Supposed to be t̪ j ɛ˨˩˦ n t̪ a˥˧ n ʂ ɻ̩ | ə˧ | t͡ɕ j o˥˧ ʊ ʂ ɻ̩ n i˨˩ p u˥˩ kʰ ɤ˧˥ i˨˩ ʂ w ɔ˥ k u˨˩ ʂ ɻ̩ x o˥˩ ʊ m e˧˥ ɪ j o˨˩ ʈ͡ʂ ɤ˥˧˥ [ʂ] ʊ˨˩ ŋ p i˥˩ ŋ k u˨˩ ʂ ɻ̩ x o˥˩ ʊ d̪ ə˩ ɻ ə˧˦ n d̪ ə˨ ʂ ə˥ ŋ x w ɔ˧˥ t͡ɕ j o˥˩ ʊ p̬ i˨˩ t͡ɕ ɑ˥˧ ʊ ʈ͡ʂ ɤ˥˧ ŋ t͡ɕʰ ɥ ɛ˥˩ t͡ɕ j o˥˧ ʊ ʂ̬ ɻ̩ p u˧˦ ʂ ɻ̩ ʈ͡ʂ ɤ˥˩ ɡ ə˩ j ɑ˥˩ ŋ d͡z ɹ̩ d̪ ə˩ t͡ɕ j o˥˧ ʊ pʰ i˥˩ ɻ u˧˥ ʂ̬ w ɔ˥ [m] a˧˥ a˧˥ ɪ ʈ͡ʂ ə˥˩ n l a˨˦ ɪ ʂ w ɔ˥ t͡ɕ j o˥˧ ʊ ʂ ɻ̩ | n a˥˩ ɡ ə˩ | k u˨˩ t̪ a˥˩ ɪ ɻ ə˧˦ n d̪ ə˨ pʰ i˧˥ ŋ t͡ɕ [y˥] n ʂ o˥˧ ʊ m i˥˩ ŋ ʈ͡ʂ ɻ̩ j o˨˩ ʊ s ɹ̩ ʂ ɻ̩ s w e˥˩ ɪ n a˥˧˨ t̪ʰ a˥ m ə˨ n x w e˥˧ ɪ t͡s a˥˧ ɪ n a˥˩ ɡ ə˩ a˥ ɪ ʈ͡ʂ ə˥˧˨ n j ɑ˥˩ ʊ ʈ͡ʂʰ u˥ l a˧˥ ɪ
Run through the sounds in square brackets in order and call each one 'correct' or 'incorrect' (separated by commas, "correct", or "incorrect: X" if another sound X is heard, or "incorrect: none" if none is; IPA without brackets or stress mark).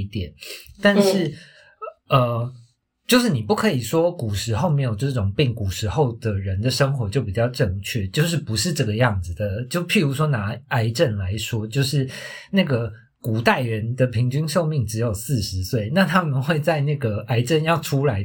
incorrect: ʈ͡ʂ, incorrect: n, correct